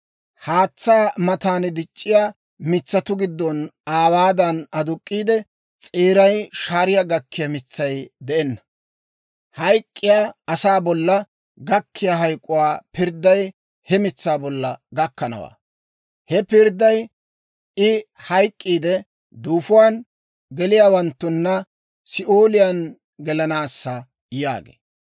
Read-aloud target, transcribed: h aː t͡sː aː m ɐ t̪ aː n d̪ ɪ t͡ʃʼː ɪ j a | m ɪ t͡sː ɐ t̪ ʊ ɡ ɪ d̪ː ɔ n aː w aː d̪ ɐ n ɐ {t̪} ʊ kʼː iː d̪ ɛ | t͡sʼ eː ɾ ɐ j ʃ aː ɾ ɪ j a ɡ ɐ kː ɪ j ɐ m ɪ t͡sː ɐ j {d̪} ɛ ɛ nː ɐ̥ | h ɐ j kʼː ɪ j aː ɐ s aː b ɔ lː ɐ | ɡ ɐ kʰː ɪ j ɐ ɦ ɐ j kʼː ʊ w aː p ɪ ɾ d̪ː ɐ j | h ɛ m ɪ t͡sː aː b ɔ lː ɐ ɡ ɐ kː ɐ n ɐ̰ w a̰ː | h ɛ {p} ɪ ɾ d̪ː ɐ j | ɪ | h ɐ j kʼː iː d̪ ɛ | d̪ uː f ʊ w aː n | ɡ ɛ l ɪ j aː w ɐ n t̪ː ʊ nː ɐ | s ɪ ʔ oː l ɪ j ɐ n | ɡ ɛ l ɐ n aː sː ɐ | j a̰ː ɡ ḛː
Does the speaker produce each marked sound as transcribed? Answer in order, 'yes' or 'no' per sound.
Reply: no, yes, yes

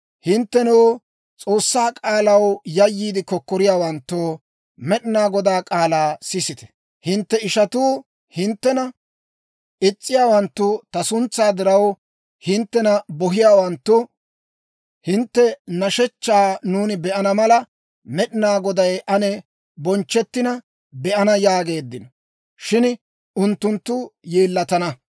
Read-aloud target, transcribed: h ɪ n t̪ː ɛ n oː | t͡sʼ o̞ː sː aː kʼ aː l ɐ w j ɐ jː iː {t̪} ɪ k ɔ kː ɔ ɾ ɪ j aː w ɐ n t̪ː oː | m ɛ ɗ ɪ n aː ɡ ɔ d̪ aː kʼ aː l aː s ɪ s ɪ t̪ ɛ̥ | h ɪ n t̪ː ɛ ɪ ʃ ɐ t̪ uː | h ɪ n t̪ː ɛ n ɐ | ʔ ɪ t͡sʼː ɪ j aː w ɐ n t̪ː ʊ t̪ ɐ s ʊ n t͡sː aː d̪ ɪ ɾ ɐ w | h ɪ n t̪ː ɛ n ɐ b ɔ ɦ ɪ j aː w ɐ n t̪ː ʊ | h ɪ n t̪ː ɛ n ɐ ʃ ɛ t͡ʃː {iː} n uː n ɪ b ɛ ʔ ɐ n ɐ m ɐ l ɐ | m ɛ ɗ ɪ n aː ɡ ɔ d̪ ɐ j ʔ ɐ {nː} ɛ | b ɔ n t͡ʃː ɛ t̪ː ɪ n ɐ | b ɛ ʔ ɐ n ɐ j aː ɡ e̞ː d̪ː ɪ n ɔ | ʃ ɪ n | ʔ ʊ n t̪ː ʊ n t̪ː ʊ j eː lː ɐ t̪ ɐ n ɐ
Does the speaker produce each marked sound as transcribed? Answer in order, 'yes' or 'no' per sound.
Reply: no, no, no

